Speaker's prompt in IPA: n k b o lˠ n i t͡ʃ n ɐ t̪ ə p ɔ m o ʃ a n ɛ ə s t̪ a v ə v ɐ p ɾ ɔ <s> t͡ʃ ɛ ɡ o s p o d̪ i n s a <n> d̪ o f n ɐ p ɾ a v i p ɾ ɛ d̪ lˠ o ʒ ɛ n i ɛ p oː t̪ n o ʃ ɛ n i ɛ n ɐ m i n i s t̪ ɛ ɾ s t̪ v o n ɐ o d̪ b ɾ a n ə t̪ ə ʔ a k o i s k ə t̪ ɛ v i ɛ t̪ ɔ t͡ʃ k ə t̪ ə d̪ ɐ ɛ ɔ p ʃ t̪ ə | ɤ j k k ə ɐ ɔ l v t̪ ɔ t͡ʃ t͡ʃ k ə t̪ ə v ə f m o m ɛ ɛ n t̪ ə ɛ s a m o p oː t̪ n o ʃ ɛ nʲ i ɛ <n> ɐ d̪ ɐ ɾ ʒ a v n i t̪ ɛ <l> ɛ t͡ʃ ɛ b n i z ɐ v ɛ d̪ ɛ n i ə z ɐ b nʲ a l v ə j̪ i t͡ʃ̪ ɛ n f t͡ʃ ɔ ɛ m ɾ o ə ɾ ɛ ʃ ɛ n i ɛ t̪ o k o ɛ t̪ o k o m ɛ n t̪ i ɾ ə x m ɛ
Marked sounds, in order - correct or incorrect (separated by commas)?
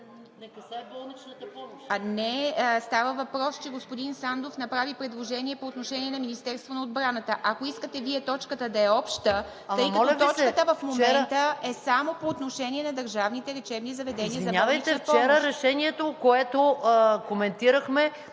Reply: correct, correct, correct, incorrect